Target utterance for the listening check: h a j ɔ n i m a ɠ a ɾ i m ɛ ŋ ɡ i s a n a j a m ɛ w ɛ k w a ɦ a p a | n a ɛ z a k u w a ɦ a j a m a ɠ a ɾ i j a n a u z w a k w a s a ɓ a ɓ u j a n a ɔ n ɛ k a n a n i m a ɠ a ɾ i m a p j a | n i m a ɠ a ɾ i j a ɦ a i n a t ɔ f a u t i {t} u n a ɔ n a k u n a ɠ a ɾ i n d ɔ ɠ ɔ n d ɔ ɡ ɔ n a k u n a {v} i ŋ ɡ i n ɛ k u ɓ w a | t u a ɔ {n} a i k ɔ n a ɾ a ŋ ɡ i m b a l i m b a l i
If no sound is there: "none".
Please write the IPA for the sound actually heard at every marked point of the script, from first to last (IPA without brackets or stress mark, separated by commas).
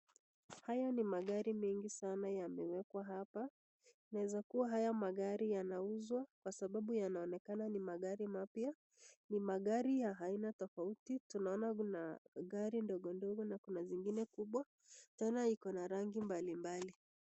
t, z, n